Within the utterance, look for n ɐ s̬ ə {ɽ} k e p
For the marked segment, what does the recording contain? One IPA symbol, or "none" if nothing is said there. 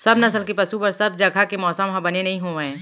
l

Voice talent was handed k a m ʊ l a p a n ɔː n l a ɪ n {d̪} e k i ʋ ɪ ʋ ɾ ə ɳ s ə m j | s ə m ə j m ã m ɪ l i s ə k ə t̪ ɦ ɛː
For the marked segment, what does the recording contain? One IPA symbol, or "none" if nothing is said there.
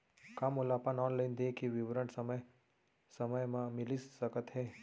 d̪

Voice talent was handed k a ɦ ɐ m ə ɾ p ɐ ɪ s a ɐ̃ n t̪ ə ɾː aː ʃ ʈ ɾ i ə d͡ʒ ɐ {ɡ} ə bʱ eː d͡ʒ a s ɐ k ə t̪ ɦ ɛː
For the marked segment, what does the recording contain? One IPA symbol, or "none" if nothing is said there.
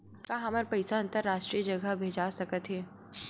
ɡ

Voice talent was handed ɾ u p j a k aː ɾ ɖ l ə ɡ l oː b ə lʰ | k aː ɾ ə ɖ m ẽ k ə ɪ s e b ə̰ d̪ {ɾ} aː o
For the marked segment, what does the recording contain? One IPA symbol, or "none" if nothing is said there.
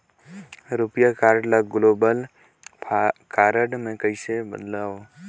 l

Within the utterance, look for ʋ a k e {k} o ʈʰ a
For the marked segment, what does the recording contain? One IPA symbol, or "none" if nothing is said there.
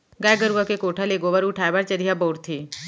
k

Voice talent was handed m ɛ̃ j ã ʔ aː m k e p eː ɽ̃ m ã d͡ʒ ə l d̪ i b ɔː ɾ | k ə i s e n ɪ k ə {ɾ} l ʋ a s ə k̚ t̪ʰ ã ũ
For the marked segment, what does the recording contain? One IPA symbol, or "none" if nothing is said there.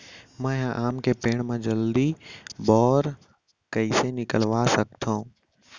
none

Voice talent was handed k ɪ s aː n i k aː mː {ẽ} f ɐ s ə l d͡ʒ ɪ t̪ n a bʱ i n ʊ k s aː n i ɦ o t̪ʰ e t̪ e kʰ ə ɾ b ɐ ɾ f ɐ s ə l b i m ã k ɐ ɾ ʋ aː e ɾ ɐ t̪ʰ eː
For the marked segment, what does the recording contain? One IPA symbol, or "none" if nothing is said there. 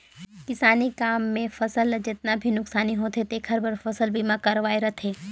ẽ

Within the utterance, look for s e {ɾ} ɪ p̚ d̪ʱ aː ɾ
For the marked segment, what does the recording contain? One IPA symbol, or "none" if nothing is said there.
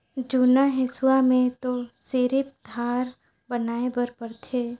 ɾ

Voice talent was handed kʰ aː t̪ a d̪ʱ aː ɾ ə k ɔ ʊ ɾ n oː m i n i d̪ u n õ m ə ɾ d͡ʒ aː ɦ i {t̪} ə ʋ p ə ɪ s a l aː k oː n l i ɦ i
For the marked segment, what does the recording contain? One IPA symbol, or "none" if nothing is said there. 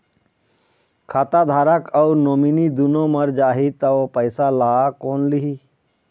t̪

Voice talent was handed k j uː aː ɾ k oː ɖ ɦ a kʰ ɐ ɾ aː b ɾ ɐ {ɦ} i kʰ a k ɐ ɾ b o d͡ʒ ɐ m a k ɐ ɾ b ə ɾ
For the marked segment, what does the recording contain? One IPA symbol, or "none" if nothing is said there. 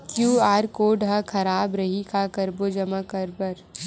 ɦ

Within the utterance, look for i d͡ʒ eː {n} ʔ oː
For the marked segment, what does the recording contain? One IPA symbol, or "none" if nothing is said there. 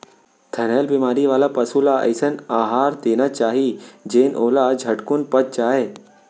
n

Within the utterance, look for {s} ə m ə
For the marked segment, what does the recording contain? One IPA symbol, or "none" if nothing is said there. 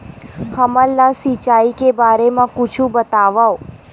h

